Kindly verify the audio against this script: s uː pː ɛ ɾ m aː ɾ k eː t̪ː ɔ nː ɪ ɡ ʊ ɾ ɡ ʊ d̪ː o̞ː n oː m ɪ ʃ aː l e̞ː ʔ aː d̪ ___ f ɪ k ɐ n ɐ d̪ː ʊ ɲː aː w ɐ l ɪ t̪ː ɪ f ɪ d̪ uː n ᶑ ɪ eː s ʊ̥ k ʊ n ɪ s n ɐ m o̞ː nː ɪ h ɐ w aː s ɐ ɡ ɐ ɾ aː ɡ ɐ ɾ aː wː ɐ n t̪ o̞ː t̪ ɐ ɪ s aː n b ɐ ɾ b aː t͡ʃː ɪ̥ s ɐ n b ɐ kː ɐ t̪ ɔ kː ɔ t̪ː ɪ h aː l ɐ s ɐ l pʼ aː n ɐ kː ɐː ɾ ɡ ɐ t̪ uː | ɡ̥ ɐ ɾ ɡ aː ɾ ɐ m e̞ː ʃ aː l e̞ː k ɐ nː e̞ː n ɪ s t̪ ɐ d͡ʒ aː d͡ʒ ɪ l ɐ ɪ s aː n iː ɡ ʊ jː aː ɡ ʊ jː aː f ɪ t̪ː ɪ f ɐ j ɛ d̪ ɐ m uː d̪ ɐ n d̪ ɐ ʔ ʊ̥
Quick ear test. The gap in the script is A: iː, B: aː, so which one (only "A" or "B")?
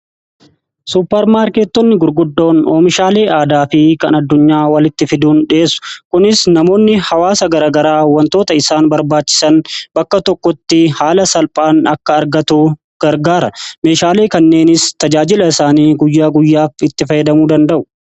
B